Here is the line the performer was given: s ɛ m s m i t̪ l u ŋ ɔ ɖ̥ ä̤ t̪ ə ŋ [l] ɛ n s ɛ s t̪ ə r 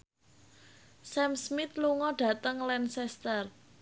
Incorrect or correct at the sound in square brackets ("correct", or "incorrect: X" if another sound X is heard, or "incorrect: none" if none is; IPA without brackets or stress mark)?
correct